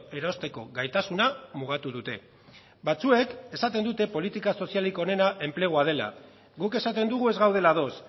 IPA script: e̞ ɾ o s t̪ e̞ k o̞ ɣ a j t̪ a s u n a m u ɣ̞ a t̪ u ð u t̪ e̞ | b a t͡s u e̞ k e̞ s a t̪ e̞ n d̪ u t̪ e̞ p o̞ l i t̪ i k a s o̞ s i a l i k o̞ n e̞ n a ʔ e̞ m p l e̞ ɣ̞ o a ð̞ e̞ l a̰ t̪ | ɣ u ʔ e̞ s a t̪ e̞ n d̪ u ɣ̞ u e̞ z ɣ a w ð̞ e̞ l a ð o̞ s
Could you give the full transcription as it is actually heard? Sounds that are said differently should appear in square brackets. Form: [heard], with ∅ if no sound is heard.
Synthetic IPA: e̞ ɾ o s t̪ e̞ k o̞ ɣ a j t̪ a s u n a m u ɣ̞ a t̪ u ð u t̪ e̞ | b a t͡s u e̞ k e̞ s a t̪ e̞ n d̪ u t̪ e̞ p o̞ l i t̪ i k a s o̞ s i a l i k o̞ n e̞ n a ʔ e̞ m p l e̞ ɣ̞ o a ð̞ e̞ l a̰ [∅] | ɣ u [k] e̞ s a t̪ e̞ n d̪ u ɣ̞ u e̞ z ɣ a w ð̞ e̞ l a ð o̞ s